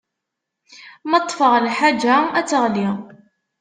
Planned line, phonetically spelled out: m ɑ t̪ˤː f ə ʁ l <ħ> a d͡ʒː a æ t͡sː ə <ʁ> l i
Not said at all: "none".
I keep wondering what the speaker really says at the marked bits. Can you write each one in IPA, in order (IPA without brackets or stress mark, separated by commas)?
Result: ħ, ʁ